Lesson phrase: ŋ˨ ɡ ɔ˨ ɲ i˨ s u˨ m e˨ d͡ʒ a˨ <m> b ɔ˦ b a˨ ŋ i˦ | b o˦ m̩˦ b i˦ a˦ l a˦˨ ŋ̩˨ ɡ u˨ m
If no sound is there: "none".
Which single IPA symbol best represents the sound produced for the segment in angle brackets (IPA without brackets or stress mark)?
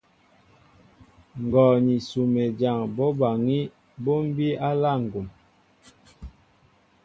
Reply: ŋ